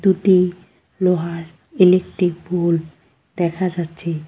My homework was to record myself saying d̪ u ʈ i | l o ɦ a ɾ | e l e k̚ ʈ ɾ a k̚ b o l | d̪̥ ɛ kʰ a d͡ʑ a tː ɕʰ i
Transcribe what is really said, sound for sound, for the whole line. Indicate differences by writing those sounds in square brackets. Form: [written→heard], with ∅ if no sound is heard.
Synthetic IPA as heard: d̪ u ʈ i | l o ɦ a ɾ | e l e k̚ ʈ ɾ [a→i] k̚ b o l | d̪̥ ɛ kʰ a d͡ʑ a tː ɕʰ [i→e]